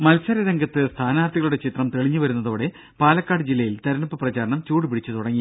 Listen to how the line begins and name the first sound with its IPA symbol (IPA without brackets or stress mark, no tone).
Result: m